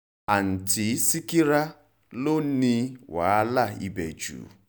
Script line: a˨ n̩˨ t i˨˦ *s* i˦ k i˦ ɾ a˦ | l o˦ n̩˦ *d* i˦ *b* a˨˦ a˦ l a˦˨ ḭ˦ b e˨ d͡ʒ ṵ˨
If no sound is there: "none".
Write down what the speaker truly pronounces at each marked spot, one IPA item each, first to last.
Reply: s, n, w

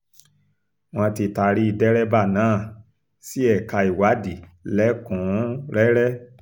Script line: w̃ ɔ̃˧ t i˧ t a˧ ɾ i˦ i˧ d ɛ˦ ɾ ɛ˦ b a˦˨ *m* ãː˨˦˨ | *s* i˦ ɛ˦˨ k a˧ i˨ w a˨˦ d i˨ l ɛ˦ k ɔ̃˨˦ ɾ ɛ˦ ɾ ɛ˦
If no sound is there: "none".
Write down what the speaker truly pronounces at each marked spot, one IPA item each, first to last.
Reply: n, s

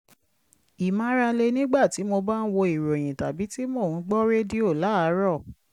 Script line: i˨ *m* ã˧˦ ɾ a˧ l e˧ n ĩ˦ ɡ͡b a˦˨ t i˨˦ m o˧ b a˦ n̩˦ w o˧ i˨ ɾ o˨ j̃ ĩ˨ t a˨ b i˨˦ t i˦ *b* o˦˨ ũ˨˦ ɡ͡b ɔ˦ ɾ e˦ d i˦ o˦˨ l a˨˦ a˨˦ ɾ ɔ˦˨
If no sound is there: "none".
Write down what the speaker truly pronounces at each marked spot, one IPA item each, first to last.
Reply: m, m

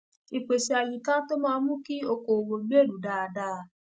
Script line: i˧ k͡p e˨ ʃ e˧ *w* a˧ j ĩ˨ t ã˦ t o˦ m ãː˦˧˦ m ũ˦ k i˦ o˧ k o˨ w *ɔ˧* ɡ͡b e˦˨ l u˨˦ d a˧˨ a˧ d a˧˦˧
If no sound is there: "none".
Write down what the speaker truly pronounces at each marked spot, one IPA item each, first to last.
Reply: none, o˧

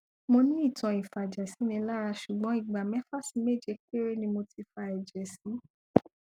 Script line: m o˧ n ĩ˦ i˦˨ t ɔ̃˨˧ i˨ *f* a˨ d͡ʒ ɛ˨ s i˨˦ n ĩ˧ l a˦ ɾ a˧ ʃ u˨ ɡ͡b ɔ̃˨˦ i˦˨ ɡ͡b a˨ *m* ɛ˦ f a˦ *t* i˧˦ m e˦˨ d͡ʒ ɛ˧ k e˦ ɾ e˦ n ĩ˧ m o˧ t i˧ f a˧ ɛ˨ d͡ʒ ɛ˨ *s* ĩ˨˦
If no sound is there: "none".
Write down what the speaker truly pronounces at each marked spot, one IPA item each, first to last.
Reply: f, m, s, s

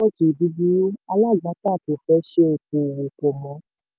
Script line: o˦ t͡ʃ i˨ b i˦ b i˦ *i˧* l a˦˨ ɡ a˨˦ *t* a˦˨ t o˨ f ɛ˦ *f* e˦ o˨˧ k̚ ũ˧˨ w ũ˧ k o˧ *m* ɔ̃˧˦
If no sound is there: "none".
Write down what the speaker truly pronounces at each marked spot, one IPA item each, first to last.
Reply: a˧, t, ʃ, m

